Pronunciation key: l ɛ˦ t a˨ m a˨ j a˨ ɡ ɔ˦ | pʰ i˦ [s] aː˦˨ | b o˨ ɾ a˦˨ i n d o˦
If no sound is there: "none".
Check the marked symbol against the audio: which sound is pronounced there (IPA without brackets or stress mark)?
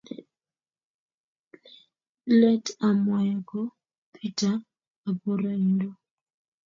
t